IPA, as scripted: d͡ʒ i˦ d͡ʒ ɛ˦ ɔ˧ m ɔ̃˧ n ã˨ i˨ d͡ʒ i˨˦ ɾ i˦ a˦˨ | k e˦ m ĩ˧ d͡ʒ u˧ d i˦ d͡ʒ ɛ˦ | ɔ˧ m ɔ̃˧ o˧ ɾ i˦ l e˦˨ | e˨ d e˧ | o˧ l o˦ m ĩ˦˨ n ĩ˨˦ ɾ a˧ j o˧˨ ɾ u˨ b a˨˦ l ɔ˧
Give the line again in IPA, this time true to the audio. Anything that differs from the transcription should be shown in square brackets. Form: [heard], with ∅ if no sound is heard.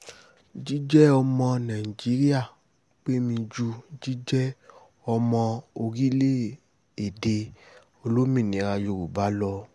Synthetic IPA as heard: d͡ʒ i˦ d͡ʒ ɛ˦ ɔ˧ m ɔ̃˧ n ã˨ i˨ d͡ʒ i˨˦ ɾ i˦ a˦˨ | [k͡p] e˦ m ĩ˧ d͡ʒ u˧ [d͡ʒ] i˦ d͡ʒ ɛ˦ | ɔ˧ m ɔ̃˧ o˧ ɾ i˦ l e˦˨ | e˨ d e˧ | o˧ l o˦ m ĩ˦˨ n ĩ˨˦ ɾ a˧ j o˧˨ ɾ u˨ b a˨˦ l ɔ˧